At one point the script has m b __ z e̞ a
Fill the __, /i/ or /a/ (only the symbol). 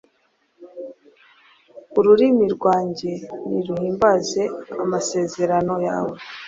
a